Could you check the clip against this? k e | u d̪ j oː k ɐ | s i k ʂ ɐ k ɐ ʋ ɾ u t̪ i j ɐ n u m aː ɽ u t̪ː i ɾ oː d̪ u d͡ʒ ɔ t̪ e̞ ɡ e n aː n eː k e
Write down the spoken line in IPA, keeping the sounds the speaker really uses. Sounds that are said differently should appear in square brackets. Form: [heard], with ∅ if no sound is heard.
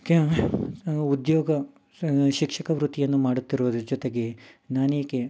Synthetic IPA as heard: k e | u d̪ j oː [ɡ] ɐ | [ʃ] i k ʂ ɐ k ɐ ʋ ɾ u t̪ i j ɐ [nː] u m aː ɽ u t̪ː i ɾ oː d̪ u d͡ʒ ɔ t̪ e̞ ɡ e n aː n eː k e